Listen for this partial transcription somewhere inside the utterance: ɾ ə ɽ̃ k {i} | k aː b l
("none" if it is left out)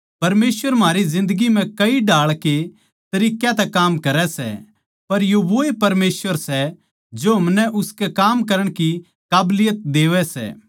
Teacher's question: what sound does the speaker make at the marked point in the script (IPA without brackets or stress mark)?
i